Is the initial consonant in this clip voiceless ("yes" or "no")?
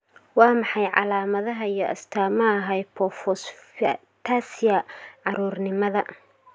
no